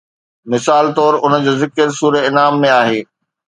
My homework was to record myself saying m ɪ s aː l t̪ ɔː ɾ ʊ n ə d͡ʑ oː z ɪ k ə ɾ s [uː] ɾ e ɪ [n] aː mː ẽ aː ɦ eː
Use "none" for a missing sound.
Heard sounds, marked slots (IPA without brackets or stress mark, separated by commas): uː, n